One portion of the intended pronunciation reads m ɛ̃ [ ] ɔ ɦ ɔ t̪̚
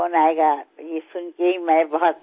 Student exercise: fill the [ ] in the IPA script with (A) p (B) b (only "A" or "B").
B